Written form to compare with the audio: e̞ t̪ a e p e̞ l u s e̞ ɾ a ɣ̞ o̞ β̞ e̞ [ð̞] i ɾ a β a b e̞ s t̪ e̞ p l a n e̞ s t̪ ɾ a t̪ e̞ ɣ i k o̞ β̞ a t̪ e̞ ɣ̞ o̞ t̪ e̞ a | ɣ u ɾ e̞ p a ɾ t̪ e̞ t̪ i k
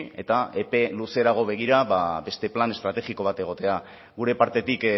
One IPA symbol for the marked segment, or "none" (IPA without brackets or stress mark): ɣ̞